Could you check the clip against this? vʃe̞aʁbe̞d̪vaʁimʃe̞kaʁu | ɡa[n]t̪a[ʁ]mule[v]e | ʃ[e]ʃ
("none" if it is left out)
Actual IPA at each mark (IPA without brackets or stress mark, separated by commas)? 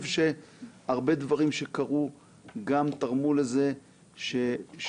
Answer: m, ʁ, z, e